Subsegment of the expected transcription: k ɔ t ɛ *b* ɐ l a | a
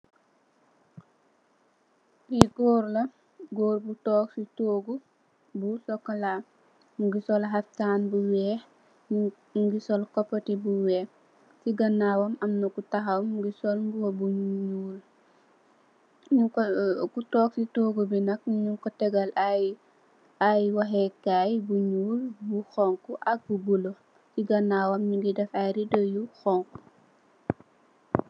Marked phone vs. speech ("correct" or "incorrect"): incorrect